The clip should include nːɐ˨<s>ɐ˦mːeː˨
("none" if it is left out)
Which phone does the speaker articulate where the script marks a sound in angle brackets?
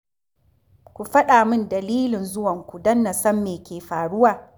s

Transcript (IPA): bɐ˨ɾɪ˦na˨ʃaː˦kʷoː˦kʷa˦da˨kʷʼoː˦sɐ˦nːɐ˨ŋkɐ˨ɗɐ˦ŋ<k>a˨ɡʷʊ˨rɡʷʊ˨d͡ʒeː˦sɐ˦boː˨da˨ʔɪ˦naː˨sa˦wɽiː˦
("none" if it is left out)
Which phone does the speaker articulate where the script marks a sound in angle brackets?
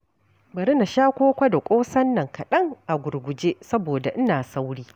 ʔ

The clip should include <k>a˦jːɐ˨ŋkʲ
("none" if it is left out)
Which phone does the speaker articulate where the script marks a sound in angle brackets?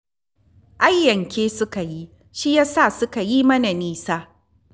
ʔ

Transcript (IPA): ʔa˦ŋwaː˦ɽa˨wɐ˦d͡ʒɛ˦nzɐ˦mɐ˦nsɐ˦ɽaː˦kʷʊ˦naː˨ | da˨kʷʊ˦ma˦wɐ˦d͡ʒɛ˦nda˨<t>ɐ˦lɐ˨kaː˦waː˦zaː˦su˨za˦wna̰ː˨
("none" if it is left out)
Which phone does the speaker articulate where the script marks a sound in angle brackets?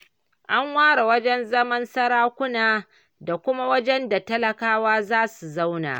t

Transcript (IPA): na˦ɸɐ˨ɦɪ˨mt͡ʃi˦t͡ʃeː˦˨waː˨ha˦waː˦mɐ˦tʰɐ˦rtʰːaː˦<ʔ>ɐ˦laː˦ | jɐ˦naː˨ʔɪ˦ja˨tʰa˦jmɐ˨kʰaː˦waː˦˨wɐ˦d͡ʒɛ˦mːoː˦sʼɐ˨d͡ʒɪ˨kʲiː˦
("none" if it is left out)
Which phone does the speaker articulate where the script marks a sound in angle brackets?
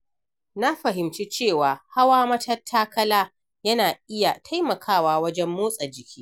k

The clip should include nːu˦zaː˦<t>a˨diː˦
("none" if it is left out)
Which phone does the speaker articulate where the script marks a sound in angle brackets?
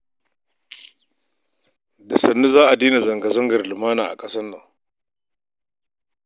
ʔ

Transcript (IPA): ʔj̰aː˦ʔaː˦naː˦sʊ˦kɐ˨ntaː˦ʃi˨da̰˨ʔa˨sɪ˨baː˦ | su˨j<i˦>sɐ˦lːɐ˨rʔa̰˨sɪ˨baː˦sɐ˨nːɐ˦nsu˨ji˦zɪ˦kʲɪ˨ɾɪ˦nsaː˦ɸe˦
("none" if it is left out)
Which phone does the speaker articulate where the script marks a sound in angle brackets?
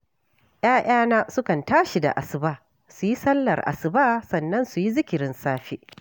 i˦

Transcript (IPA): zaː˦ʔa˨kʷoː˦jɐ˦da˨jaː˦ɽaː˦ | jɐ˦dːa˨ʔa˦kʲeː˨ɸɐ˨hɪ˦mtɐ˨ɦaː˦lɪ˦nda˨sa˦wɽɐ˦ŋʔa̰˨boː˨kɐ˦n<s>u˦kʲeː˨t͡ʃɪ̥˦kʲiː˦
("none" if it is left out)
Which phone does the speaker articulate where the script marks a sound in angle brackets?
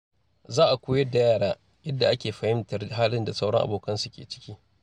s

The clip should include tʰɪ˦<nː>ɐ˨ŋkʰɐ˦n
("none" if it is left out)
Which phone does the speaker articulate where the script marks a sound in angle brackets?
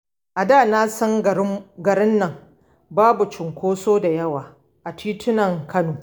n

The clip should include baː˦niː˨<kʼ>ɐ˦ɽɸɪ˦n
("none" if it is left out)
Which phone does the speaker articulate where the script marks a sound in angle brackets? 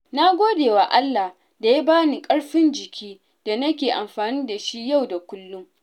kʼ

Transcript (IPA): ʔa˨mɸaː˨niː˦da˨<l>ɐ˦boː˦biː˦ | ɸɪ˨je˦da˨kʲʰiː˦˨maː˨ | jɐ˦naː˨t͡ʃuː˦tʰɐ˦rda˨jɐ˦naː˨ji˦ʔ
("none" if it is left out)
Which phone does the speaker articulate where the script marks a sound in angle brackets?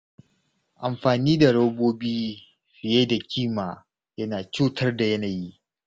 ɽ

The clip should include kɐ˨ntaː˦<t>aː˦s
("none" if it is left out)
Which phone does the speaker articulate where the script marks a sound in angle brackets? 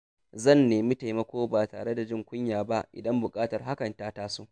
t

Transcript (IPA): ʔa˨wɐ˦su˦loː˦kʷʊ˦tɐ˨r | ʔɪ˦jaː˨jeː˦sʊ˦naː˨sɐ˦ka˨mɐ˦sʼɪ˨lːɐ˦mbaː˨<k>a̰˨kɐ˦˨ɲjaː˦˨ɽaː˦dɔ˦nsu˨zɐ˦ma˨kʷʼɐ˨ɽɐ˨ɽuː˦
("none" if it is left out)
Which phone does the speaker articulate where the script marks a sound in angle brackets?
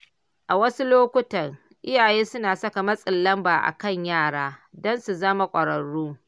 ʔ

